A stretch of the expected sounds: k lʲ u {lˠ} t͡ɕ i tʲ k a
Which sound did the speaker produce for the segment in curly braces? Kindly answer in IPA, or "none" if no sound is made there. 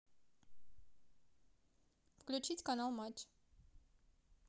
none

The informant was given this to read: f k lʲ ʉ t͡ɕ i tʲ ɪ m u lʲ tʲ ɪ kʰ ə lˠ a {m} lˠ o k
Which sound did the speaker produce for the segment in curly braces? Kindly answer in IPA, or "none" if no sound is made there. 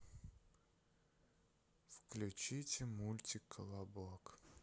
b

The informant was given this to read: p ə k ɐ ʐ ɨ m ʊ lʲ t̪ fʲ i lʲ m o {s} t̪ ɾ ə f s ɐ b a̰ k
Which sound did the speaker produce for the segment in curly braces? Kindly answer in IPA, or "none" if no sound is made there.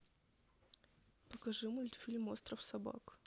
s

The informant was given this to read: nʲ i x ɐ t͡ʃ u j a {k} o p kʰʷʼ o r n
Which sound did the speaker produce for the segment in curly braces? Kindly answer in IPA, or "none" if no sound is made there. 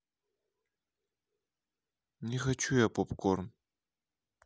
p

